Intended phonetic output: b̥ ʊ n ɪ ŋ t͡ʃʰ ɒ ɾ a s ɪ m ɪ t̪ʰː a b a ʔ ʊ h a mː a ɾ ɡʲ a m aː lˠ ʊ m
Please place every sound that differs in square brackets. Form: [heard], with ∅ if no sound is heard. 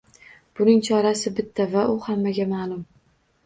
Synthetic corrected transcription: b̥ ʊ n ɪ ŋ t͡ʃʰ ɒ ɾ a s ɪ [b] ɪ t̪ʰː a [v] a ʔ ʊ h a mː a [∅] ɡʲ a m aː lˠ ʊ m